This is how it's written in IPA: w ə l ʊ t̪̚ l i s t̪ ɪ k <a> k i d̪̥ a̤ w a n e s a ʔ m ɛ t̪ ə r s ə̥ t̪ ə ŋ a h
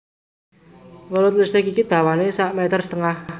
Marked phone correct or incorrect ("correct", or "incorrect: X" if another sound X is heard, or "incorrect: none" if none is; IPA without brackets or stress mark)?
incorrect: i